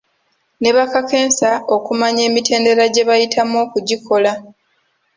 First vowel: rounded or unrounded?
unrounded